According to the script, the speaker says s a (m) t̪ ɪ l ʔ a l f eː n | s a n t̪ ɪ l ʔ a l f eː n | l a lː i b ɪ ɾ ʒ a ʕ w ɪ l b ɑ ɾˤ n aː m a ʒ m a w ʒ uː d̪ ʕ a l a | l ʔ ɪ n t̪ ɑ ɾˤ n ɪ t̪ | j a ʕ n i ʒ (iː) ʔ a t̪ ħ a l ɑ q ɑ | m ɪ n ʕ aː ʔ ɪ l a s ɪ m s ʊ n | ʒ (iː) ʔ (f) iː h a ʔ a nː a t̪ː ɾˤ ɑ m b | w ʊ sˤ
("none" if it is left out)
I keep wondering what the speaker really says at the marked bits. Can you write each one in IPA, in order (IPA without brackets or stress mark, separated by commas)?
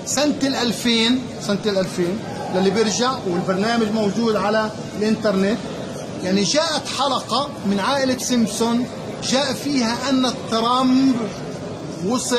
n, aː, aː, f